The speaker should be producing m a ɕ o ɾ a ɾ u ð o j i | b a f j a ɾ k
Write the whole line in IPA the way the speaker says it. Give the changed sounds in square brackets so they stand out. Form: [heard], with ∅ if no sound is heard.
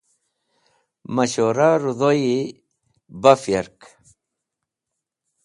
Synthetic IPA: m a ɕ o ɾ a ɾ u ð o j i | b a f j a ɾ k